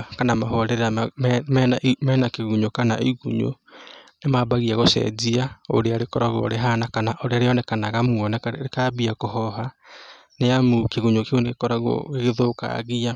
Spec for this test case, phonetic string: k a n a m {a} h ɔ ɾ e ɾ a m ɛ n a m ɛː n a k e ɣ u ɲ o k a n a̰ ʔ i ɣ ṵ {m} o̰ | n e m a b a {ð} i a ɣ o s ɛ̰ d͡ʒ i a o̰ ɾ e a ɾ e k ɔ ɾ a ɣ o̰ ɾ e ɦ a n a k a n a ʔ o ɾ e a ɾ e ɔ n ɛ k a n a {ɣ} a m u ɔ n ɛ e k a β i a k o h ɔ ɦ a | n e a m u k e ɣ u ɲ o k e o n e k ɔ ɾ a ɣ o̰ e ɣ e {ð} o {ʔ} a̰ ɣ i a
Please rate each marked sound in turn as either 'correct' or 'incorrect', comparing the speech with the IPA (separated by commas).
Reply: correct, incorrect, incorrect, correct, correct, incorrect